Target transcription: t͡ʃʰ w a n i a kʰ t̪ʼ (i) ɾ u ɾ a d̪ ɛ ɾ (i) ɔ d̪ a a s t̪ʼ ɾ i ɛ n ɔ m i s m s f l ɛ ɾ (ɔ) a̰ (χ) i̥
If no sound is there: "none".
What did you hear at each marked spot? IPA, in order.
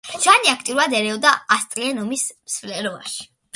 i, ɛ, ɔ, ʃ

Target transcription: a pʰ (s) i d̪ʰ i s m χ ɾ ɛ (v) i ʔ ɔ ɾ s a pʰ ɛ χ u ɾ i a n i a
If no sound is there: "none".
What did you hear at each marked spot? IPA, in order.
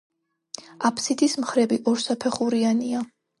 s, b

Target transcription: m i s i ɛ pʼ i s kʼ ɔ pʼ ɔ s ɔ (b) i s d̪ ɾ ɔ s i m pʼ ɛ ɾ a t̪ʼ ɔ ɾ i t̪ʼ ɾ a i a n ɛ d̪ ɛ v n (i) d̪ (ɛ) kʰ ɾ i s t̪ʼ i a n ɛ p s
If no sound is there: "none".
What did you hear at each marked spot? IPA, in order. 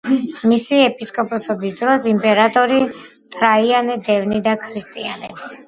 b, i, a

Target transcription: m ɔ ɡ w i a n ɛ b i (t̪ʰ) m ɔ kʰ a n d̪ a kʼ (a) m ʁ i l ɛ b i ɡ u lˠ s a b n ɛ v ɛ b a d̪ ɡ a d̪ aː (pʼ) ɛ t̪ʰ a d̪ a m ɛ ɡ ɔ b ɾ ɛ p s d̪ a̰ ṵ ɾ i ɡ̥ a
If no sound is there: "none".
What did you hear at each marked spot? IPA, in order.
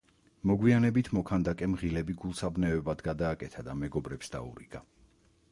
t̪ʰ, ɛ, kʼ

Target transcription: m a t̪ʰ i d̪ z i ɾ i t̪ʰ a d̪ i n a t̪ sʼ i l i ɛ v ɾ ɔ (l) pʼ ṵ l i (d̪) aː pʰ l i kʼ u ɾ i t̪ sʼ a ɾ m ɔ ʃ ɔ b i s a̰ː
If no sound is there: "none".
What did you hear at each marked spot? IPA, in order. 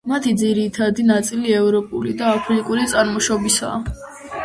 none, d̪

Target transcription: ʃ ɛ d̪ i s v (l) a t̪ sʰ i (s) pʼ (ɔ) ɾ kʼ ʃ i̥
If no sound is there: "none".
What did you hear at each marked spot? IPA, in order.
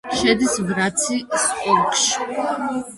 ɾ, s, ɔ

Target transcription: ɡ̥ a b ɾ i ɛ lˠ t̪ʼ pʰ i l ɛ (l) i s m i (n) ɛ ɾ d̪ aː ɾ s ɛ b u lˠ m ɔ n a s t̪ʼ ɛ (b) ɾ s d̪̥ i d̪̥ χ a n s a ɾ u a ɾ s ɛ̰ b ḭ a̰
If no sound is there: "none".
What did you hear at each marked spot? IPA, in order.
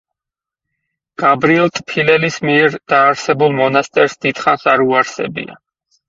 l, none, none

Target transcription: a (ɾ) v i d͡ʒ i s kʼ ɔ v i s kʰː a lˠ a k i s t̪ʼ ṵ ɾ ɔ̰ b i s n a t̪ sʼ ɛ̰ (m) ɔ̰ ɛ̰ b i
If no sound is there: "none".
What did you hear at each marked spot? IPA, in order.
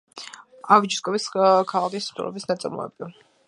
none, m

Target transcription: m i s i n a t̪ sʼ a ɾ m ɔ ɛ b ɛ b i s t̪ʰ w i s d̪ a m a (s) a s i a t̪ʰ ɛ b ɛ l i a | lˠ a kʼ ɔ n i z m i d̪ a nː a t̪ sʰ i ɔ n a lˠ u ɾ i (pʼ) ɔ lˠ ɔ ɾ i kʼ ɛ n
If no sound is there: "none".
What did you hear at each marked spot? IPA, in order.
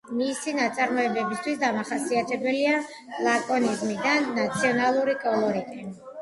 χ, kʼ

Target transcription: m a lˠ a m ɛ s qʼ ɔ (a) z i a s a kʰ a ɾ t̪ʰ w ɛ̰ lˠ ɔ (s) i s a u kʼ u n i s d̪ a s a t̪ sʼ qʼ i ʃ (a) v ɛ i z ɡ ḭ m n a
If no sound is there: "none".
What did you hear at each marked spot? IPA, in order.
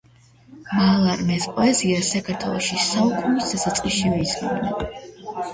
ɛ, ʃ, i

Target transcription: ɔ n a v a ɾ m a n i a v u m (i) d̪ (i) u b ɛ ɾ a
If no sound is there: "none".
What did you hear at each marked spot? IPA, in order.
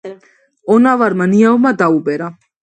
a, a

